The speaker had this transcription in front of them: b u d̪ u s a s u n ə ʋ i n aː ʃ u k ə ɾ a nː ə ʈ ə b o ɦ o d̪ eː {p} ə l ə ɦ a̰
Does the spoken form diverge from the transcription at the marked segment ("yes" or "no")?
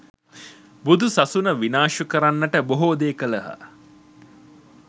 yes